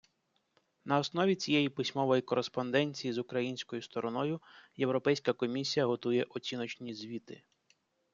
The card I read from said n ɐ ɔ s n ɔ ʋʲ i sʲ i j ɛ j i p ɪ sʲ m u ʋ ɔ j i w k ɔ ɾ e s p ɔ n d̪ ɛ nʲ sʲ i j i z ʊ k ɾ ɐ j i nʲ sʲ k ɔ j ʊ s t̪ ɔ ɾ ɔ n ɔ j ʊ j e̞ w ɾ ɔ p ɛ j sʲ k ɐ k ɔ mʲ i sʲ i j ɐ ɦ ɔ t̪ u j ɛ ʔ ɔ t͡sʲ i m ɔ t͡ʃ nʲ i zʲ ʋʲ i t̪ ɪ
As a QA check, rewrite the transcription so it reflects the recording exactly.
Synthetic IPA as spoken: n ɐ ɔ s n ɔ ʋʲ i t͡sʲ i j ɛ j i p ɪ sʲ m ɔ ʋ ɔ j i k ɔ ɾ e s p ɔ n d̪ ɛ nʲ t͡sʲ i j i z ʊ k ɾ ɐ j i nʲ sʲ k ɔ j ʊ s t̪ ɔ ɾ ɔ n ɔ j ʊ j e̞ w ɾ ɔ p ɛ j sʲ k ɐ k ɔ mʲ i sʲ i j ɐ ɦ ɔ t̪ u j ɛ ʔ ɔ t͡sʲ i n ɔ t͡ʃ nʲ i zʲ ʋʲ i t̪ ɪ